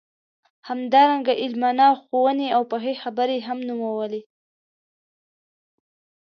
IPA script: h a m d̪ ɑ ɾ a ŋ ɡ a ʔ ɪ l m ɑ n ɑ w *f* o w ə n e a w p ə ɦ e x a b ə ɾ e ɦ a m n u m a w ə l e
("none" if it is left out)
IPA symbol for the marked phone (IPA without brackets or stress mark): x